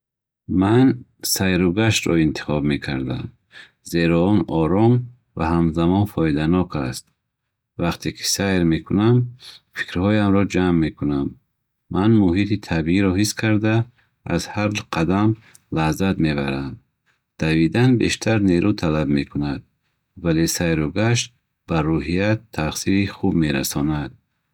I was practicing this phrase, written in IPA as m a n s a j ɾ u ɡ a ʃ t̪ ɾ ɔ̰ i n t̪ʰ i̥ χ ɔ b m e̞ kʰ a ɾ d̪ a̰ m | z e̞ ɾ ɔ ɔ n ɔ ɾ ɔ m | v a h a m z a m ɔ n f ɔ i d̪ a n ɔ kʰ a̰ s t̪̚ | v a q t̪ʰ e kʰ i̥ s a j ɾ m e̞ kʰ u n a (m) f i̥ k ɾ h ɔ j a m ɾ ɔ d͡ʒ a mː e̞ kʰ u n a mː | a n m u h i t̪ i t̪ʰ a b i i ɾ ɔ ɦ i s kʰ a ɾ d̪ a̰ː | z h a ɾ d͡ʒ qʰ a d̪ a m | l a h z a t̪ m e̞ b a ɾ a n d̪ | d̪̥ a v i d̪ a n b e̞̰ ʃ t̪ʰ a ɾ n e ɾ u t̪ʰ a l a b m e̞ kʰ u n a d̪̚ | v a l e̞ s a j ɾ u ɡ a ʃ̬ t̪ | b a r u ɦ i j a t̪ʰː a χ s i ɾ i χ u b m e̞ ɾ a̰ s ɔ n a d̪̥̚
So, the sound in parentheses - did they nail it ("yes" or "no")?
yes